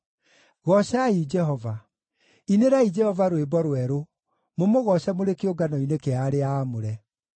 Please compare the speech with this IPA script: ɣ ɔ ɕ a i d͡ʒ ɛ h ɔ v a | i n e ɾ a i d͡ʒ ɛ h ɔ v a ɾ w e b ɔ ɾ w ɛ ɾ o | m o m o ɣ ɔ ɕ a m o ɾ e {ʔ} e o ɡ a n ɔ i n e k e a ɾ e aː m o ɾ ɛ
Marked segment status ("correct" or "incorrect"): incorrect